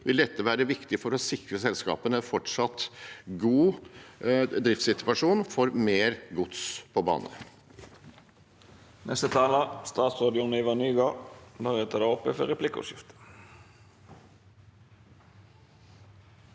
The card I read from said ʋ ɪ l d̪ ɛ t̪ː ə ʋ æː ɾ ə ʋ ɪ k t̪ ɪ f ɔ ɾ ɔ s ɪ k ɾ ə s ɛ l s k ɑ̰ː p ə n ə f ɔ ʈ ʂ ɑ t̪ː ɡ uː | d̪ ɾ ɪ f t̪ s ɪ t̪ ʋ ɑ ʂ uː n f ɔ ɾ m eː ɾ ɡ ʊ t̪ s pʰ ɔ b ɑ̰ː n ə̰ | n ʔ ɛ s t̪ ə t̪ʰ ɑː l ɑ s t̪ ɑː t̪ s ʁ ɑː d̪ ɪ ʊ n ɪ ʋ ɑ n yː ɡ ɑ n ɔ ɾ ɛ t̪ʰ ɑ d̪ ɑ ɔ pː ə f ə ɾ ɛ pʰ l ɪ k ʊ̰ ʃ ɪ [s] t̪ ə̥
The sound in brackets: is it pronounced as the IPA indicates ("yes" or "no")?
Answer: no